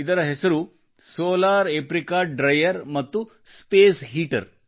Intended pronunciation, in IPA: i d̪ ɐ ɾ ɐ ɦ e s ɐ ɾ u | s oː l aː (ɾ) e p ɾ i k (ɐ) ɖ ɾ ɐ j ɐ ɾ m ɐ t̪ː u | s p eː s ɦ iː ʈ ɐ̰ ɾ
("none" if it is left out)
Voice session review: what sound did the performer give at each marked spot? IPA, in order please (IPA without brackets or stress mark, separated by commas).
ɾ, a